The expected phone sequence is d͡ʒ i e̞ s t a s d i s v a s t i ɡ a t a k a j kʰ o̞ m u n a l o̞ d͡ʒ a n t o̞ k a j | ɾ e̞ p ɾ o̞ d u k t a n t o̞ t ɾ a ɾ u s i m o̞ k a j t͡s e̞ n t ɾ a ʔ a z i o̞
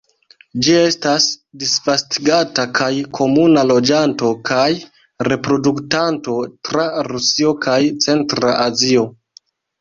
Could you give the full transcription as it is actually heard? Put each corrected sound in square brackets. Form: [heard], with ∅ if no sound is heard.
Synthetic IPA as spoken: d͡ʒ i e̞ s t a s d i s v a s t i ɡ a t a k a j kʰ o̞ m u n a l o̞ d͡ʒ a n t o̞ k a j | ɾ e̞ p ɾ o̞ d u k t a n t o̞ t ɾ a ɾ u s i [∅] o̞ k a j t͡s e̞ n t ɾ a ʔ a z i o̞